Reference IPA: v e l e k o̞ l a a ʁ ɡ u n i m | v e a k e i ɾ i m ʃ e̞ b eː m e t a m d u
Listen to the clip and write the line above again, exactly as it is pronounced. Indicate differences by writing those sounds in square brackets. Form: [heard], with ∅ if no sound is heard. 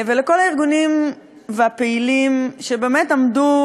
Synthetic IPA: v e l e k o̞ l a [i] ʁ ɡ u n i m | v e a [p] e i [l] i m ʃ e̞ b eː m e t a m d u